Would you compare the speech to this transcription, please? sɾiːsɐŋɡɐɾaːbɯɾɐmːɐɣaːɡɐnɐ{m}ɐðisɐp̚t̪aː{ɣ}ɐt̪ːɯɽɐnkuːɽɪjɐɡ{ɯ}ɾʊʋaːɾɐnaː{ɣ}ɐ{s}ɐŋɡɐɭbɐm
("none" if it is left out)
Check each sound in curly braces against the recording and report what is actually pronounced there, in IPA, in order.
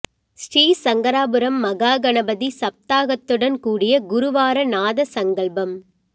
b, ɣ, ʊ, ð, s

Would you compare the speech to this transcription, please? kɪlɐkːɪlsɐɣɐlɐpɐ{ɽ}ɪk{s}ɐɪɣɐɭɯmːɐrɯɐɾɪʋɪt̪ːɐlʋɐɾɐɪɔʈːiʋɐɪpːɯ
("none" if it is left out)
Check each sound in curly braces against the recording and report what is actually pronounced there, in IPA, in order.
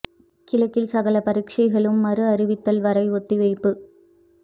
ɾ, ʂ

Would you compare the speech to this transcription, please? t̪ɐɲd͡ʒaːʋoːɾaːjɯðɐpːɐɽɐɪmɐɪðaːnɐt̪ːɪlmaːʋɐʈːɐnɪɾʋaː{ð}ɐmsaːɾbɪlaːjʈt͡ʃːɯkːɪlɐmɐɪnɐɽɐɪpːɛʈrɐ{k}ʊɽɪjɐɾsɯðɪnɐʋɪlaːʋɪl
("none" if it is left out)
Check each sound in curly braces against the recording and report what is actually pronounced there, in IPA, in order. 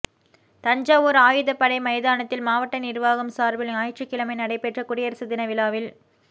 ɣ, k

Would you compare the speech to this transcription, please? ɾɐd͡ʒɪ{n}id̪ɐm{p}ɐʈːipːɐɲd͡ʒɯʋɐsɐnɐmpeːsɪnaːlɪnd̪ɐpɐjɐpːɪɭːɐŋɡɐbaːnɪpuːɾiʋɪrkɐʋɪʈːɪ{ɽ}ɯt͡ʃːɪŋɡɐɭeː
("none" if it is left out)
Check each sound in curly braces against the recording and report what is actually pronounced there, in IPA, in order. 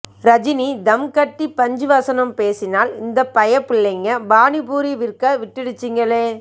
n, k, ɽ

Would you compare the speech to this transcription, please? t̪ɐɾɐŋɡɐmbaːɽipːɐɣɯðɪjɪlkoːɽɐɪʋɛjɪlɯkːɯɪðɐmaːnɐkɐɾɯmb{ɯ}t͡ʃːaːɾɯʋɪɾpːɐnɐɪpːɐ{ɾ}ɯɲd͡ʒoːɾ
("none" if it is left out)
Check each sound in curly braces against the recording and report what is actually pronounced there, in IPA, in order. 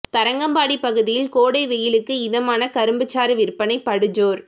ɯ, ɽ

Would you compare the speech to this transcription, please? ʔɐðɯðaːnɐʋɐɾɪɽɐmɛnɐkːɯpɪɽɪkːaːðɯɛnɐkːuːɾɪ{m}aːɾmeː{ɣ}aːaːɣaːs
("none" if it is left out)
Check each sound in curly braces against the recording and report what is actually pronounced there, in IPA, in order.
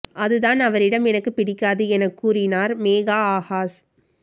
n, ɣ

